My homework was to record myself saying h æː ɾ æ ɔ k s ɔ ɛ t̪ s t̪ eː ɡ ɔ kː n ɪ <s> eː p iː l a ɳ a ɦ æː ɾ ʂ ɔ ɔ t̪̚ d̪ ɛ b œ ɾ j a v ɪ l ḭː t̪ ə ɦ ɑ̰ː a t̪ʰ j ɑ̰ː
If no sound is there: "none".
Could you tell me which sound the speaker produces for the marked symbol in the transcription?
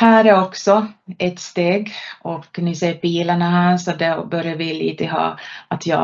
s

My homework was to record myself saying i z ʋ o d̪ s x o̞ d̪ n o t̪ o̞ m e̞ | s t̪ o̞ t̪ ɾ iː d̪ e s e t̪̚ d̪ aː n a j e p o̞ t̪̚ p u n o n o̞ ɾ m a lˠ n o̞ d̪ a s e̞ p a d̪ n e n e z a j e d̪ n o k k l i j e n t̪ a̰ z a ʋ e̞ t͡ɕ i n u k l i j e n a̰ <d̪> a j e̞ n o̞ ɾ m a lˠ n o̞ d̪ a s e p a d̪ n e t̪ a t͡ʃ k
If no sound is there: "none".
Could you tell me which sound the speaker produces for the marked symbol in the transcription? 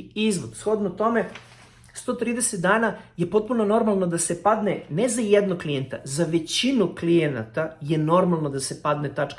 t̪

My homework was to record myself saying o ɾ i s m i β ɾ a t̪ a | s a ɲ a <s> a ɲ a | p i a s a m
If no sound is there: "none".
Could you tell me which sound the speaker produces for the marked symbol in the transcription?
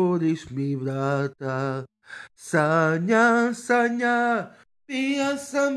s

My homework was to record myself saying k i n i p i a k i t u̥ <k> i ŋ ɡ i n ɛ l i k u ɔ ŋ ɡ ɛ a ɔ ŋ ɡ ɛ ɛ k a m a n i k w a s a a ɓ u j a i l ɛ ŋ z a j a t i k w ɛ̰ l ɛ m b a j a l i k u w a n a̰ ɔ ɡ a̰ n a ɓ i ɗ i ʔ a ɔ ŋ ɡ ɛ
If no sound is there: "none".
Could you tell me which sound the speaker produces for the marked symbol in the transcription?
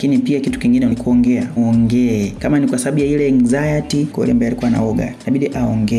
k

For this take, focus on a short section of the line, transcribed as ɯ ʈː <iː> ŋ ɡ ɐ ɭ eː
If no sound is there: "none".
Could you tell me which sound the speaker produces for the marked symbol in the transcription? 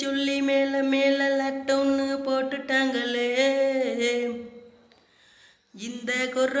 aː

